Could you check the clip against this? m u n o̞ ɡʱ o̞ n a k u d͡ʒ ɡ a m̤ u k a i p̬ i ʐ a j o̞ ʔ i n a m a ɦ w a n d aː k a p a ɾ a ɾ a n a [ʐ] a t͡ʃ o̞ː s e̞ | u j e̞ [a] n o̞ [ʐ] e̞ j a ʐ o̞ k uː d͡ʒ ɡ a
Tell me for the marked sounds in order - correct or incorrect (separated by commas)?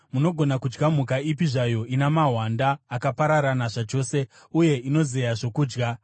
correct, incorrect, incorrect